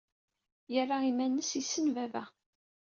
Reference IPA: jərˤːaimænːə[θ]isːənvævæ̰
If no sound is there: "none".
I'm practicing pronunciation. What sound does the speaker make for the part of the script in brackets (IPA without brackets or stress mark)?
s